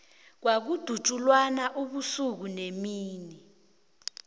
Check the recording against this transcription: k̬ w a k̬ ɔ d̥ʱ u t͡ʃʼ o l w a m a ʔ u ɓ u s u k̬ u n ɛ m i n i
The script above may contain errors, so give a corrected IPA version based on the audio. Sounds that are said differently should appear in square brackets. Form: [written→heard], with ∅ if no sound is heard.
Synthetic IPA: k̬ w a k̬ [ɔ→u] d̥ʱ u t͡ʃʼ [o→u] l w a [m→n] a ʔ u ɓ u s u k̬ u n [ɛ→e] m [i→iː] n i